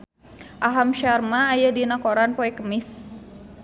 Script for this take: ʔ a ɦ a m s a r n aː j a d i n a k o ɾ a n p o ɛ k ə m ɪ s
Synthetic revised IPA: ʔ a ɦ a m ʃ a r m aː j a d i n a k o ɾ a n p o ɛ k ə m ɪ s